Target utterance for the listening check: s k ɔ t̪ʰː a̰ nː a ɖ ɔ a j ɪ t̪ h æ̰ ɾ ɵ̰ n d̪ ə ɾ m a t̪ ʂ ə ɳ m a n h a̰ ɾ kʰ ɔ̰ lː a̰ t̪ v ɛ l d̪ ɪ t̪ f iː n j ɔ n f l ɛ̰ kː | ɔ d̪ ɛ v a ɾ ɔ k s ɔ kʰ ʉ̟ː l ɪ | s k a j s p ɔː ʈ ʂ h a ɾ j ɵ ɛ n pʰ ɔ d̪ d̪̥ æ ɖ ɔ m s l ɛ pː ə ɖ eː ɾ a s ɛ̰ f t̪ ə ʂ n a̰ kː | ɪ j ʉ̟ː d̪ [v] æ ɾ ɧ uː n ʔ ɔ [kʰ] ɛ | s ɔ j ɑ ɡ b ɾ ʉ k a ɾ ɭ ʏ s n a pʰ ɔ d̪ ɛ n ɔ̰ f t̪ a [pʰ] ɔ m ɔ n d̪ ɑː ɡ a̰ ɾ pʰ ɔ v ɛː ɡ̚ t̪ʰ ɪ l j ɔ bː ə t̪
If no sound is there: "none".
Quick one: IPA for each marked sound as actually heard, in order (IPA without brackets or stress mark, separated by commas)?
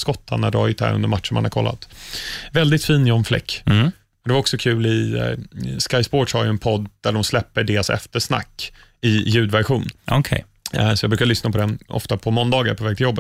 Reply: v, kʰ, pʰ